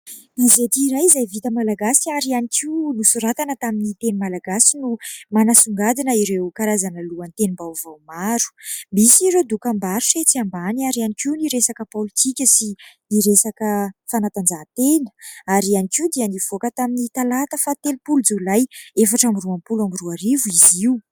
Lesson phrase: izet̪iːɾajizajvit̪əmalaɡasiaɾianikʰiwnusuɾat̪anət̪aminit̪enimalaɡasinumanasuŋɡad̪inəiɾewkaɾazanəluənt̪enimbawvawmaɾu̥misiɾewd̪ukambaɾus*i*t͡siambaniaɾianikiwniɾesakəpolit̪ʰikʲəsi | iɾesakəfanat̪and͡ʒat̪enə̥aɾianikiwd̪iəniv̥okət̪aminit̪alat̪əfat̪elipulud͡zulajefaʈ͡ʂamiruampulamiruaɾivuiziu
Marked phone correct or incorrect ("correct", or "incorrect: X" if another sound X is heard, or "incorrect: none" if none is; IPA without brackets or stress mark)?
incorrect: e